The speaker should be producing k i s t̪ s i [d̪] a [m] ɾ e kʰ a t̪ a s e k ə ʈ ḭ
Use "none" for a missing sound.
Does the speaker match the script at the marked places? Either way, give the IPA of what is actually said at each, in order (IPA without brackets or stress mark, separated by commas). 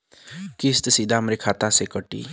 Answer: d̪, m